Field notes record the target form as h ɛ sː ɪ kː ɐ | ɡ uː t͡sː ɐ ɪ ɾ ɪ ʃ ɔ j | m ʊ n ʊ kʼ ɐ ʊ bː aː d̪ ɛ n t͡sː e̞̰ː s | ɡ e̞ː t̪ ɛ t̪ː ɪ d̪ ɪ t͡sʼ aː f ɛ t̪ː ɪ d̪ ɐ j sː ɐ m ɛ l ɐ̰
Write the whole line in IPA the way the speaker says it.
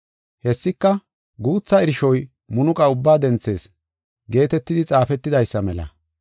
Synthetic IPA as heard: h ɛ sː ɪ kː ɐ | ɡ uː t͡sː ɐ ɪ ɾ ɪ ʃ ɔ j | m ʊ n ʊ kʼ ɐ ʊ bː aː d̪ ɛ n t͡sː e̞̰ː s | ɡ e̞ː t̪ ɛ t̪ː ɪ d̪ ɪ t͡sʼ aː f ɛ t̪ː ɪ d̪ ɐ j sː ɐ m ɛ l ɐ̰